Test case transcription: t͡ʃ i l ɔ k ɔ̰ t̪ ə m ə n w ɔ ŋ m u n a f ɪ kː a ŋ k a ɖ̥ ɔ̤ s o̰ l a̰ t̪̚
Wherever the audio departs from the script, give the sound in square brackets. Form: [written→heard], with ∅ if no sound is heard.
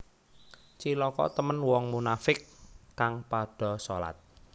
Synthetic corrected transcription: t͡ʃ i l ɔ k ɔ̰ t̪ ə m ə n w ɔ ŋ m u n a f ɪ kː a ŋ [k→p] a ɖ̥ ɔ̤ s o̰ l a̰ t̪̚